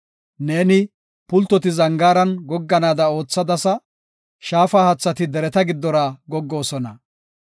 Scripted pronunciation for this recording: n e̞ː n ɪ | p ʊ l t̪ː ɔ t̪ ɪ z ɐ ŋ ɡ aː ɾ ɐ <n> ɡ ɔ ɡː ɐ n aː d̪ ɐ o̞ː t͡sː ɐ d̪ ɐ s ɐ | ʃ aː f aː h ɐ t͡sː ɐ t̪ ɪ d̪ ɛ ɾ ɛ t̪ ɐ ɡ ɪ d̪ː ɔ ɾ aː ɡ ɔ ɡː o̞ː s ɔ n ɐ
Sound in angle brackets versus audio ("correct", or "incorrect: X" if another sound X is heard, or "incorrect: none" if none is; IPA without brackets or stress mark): correct